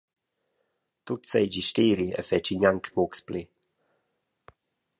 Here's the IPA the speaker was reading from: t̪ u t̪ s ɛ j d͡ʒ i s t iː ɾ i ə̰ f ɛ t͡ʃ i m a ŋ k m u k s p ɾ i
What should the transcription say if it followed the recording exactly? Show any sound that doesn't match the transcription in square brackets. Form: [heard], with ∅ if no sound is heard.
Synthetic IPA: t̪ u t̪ s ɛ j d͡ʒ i [ʃ] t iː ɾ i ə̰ f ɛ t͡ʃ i [ɲ] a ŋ k m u k s p [l] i